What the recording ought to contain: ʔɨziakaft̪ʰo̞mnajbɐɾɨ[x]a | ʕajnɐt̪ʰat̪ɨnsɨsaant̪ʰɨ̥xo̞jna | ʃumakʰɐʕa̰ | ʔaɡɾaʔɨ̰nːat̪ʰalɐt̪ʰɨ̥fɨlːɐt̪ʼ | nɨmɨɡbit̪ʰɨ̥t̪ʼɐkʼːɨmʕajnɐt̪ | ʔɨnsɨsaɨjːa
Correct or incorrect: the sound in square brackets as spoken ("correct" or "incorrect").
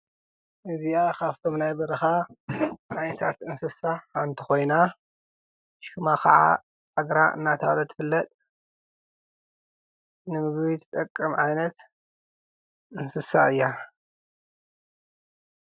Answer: correct